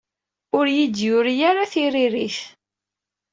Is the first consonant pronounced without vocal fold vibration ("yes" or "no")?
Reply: no